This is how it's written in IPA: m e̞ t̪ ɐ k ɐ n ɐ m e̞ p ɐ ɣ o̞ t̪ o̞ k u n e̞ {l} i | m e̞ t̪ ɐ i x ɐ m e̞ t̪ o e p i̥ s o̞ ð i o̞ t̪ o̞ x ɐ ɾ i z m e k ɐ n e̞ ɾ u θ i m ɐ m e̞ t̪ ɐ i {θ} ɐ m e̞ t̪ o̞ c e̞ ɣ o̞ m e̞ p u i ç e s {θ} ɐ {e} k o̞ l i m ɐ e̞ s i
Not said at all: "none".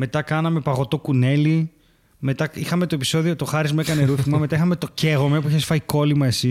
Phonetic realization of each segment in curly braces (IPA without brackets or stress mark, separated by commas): l, x, f, i